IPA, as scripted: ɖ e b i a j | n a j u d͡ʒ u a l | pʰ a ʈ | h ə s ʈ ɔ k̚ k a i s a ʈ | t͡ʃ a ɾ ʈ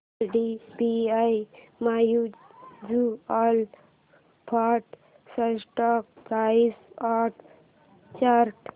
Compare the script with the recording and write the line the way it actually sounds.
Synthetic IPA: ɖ i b i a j | m a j u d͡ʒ u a l | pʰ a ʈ | s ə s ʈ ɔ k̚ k a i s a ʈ | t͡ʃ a ɾ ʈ